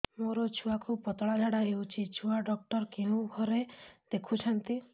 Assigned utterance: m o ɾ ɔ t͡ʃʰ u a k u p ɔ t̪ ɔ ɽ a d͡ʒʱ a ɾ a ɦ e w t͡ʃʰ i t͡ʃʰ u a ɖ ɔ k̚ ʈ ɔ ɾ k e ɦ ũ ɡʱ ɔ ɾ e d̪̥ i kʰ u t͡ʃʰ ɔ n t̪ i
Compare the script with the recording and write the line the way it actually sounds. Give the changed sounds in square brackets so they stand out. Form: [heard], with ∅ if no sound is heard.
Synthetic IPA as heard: m o ɾ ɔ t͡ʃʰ u a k u p ɔ t̪ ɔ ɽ a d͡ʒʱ a [ɽ] a ɦ e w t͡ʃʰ i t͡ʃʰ u a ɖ ɔ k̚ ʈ ɔ ɾ k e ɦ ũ ɡʱ ɔ ɾ e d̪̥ [e] kʰ u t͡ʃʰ ɔ n t̪ i